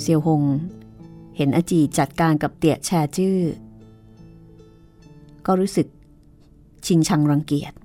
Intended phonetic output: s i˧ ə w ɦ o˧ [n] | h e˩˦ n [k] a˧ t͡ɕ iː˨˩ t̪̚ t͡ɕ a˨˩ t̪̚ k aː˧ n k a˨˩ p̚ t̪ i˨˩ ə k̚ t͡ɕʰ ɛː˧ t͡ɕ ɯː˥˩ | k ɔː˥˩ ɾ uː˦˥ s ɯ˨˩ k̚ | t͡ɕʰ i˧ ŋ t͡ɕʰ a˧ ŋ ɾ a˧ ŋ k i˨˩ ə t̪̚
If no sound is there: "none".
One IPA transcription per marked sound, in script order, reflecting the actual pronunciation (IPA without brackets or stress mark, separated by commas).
ŋ, ʔ